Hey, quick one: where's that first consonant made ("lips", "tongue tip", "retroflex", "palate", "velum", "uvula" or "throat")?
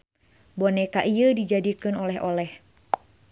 lips